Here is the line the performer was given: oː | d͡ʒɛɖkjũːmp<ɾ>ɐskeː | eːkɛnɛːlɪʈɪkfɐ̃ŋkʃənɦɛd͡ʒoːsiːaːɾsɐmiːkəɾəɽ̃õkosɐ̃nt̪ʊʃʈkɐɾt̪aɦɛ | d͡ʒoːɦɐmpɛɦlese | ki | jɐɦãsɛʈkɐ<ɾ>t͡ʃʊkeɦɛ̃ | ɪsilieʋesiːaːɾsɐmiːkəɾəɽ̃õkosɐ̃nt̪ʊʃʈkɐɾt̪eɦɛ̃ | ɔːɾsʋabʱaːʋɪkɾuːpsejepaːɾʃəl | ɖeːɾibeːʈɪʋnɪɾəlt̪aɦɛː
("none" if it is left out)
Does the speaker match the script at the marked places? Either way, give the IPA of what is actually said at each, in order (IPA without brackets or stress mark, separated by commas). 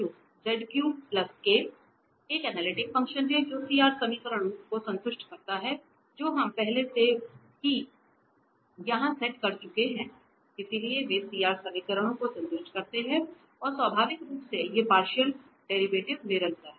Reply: l, ɾ